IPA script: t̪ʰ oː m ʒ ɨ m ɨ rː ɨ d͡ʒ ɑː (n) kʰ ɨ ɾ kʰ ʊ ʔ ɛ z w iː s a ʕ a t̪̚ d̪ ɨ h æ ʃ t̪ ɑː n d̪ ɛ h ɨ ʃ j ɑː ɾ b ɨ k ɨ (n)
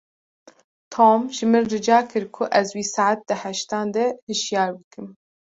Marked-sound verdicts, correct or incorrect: incorrect: none, incorrect: m

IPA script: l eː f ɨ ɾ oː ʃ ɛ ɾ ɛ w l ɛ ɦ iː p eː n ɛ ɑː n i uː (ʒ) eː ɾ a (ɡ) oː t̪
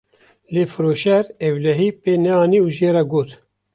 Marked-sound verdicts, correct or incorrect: correct, correct

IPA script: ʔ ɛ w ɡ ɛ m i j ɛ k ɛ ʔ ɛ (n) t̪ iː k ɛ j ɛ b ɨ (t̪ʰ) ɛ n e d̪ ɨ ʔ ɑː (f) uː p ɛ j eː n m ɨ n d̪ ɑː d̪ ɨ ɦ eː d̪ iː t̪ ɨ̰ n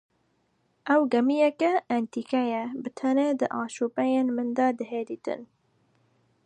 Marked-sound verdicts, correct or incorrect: correct, correct, incorrect: ʃ

